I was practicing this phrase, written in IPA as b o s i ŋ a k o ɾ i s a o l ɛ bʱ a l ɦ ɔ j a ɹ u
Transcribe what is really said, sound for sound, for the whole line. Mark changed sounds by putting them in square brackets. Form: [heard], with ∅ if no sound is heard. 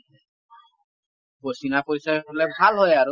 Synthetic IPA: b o s i [n] a [p] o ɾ i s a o l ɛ bʱ a l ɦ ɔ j a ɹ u